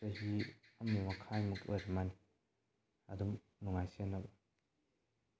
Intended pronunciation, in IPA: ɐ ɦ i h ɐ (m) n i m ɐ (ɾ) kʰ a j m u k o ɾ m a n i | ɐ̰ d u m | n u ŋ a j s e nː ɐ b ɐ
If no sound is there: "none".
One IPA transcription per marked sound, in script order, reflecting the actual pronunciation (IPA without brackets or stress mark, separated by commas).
m, none